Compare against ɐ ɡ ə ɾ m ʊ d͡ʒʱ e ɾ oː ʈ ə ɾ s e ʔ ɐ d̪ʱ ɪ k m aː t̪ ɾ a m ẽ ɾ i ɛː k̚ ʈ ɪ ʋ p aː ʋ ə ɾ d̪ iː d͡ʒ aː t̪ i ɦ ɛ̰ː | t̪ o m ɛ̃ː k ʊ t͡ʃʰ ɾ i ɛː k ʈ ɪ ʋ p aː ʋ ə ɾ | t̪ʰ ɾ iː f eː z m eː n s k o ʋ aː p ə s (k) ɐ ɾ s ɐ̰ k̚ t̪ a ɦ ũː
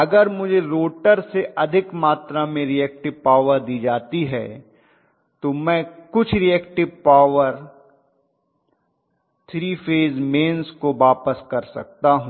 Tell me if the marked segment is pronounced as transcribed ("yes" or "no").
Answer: yes